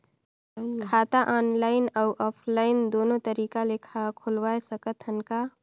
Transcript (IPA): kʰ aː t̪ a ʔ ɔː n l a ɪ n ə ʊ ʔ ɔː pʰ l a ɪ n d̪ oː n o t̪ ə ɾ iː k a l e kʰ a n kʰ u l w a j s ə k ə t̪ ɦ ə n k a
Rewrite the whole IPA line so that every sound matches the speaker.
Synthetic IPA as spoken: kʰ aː t̪ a ʔ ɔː n l a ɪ n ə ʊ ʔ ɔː pʰ l a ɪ n d̪ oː n o t̪ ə ɾ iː k a l e kʰ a kʰ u l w a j s ə k ə t̪ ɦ ə n k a